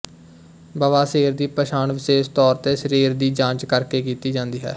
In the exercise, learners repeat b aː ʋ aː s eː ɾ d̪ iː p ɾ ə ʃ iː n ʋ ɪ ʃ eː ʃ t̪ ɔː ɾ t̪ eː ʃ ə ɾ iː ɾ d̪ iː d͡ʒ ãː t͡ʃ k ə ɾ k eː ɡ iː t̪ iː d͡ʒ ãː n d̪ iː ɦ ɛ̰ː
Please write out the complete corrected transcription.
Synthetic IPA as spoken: b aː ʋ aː s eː ɾ d̪ iː p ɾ ə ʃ aː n ʋ ɪ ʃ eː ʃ t̪ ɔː ɾ t̪ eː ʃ ə ɾ iː ɾ d̪ iː d͡ʒ ãː t͡ʃ k ə ɾ k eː k iː t̪ iː d͡ʒ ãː n d̪ iː ɦ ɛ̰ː